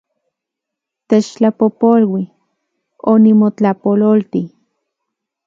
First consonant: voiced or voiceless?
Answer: voiceless